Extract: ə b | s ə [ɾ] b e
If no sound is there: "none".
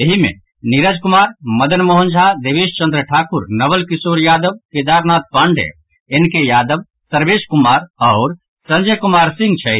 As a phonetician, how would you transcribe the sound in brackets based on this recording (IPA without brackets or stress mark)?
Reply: ɾ